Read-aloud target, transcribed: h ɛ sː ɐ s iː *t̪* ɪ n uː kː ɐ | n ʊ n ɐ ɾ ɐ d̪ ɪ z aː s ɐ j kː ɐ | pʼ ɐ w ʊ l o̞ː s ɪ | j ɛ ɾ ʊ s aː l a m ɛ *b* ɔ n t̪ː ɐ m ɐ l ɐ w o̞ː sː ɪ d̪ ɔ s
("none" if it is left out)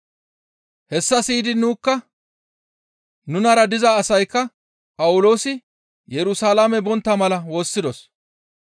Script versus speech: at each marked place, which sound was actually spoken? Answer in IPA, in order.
d̪, b

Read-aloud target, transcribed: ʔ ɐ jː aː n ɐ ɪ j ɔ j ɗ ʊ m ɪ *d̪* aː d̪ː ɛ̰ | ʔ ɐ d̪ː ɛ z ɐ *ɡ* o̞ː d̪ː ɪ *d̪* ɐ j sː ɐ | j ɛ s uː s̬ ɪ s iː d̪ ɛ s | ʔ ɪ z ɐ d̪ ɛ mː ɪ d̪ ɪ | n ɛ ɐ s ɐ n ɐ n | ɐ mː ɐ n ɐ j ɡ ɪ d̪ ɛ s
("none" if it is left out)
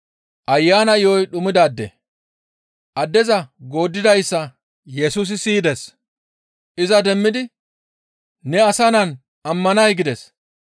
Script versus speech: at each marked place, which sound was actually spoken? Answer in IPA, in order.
d̪, ɡ, d̪

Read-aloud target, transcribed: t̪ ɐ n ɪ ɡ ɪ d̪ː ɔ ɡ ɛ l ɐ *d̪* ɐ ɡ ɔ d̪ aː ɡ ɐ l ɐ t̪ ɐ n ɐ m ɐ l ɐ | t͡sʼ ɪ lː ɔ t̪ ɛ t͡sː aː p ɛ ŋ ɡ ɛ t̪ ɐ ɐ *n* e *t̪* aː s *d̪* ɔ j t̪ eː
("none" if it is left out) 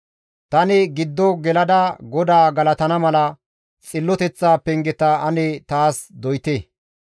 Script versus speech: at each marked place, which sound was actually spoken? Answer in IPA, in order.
d̪, n, t̪, d̪

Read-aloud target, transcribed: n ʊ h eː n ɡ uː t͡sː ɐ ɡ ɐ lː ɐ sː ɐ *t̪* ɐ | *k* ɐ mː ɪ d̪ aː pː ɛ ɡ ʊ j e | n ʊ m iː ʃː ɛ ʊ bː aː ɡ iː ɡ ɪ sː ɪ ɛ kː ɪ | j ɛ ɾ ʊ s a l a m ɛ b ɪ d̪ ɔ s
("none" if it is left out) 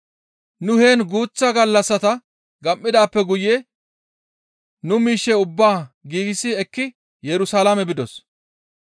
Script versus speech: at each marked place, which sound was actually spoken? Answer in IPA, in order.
t̪, ɡ

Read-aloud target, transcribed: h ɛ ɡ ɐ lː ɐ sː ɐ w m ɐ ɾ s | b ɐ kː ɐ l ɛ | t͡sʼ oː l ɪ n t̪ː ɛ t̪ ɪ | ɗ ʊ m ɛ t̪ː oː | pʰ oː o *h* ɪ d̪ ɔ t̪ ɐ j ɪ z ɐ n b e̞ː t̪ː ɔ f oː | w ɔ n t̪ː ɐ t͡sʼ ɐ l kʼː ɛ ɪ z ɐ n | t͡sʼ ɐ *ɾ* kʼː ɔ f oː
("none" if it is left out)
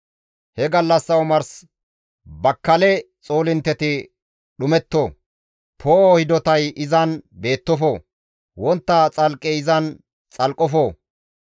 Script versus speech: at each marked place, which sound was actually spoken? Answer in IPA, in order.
h, l

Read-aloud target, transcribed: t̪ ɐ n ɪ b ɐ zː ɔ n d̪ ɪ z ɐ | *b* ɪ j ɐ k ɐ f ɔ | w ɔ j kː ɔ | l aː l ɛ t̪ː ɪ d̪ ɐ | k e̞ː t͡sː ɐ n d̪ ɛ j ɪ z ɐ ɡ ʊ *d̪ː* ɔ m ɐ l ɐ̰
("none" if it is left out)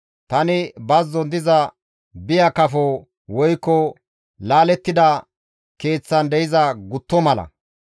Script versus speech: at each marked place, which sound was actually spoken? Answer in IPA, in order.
b, t̪ː

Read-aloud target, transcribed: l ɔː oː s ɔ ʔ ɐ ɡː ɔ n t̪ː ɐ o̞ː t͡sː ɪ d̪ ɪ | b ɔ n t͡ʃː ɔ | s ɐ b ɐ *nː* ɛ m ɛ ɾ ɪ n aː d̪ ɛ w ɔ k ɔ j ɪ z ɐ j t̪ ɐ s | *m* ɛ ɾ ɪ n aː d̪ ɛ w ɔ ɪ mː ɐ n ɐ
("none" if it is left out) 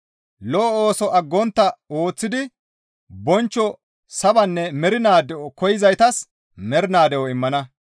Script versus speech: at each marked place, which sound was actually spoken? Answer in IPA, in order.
nː, m

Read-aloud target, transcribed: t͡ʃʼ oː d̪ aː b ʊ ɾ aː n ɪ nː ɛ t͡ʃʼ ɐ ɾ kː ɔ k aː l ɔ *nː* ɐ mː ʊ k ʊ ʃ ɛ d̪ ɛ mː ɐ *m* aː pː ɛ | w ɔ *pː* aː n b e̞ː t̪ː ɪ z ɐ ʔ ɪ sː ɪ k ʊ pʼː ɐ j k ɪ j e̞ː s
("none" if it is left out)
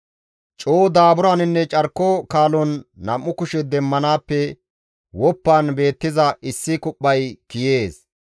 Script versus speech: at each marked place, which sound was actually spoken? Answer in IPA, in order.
nː, n, pː

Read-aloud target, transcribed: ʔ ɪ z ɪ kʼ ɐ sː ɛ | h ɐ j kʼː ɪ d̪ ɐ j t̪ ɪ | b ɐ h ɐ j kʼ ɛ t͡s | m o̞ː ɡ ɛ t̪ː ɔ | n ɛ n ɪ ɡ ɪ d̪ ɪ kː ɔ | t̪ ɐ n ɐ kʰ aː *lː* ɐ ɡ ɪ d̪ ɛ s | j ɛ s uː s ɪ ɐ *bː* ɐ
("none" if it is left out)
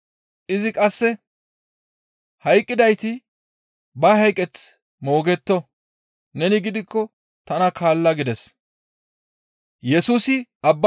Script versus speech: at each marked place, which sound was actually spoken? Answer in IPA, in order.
lː, bː

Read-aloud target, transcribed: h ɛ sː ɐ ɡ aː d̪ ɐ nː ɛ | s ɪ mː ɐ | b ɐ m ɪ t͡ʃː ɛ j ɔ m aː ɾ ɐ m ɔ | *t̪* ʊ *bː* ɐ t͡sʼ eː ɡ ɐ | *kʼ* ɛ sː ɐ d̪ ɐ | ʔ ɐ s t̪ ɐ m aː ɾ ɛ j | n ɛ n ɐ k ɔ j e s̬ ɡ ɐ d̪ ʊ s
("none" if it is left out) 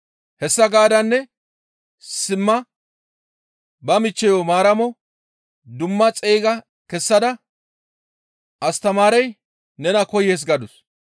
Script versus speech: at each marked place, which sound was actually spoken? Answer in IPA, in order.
d̪, mː, k

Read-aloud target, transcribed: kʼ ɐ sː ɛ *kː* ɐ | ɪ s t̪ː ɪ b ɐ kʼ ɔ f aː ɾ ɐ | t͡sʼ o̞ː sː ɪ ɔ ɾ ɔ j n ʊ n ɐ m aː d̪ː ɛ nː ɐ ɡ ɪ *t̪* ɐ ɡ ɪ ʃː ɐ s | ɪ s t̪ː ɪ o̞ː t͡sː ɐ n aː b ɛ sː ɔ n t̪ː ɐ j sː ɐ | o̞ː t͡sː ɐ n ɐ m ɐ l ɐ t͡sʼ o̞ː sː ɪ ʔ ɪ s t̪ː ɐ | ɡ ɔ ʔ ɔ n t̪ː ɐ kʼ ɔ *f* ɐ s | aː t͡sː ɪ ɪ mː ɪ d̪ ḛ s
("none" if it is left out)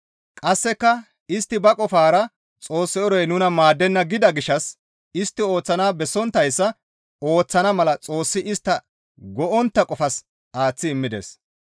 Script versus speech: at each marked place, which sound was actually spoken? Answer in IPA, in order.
kː, d̪, f

